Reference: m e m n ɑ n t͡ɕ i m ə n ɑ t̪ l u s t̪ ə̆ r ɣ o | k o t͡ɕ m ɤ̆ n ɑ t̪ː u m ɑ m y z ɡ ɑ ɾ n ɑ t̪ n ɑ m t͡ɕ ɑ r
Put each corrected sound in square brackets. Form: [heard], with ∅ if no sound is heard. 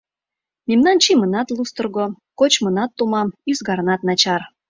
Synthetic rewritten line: m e m n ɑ n t͡ɕ i m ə n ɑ t̪ l u s t̪ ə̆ r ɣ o | k o t͡ɕ m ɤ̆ n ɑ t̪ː u m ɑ m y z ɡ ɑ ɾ n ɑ t̪ n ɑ [∅] t͡ɕ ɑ r